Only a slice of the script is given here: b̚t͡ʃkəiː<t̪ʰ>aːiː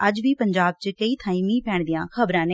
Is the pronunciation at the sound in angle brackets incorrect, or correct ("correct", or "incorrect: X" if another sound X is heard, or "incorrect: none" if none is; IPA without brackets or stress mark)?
correct